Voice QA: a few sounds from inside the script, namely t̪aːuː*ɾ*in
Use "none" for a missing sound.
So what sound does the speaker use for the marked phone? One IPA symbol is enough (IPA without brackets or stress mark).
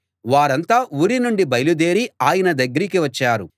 ɾ